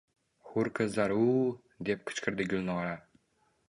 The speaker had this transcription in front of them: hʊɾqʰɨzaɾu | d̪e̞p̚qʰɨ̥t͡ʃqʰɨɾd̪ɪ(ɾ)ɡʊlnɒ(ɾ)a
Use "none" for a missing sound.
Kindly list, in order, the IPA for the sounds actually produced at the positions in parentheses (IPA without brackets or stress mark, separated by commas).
none, ɾ